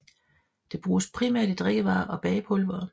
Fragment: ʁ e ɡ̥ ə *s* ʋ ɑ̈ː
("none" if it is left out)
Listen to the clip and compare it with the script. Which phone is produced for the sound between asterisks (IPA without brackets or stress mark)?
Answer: none